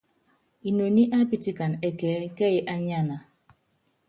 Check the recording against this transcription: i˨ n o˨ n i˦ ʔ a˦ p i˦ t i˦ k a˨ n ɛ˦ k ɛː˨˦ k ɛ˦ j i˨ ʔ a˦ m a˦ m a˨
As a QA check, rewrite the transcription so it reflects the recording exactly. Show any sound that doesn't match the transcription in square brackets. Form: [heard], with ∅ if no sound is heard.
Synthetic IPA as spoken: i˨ n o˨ n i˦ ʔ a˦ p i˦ t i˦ k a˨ n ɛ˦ k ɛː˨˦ k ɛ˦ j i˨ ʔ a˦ [ɲ] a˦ [n] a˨